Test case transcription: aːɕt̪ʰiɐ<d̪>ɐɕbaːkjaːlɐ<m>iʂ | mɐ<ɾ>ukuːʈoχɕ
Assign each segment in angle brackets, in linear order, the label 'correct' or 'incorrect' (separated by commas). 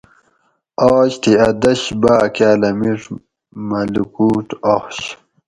correct, correct, incorrect